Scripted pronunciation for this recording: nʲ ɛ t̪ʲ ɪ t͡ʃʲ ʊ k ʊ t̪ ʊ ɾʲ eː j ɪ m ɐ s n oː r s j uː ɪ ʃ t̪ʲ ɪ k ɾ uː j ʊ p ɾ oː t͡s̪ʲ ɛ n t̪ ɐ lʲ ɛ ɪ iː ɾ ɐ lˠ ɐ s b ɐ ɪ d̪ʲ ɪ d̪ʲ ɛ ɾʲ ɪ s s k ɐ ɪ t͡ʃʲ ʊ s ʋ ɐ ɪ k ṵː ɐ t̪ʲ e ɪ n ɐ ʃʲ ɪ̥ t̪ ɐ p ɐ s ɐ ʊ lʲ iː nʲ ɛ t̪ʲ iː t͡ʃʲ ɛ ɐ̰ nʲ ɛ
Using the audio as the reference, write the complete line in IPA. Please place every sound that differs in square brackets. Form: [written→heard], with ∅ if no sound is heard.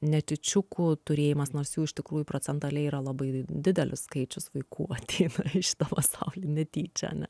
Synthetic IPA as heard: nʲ ɛ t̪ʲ ɪ t͡ʃʲ ʊ k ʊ t̪ ʊ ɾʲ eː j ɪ m ɐ s n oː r s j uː ɪ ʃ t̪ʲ ɪ k ɾ uː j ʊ p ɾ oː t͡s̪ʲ ɛ n t̪ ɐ lʲ ɛ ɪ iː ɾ ɐ lˠ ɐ [s→∅] b ɐ ɪ d̪ʲ ɪ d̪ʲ ɛ [ɾʲ→lʲ] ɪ s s k ɐ ɪ t͡ʃʲ ʊ s ʋ ɐ ɪ k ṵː ɐ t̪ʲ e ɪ n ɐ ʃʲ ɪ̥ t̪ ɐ p ɐ s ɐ ʊ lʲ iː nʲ ɛ t̪ʲ iː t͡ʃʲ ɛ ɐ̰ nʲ ɛ